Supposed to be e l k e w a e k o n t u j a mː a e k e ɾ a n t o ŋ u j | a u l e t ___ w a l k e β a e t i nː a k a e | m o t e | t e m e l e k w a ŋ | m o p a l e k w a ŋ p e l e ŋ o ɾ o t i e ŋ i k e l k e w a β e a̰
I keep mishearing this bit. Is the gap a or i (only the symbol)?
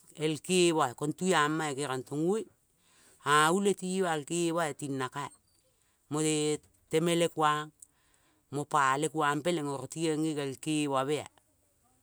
i